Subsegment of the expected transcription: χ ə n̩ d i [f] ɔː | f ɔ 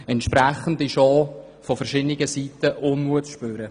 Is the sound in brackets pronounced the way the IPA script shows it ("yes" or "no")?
no